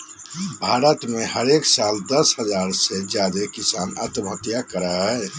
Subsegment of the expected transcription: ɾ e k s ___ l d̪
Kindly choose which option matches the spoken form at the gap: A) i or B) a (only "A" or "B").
B